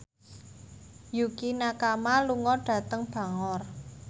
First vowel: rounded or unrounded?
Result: rounded